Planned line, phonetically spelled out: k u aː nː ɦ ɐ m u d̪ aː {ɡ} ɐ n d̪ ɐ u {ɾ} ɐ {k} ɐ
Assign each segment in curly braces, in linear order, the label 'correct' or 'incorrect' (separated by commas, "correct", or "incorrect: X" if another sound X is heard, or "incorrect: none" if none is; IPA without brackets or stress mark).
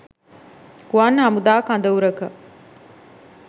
incorrect: k, correct, correct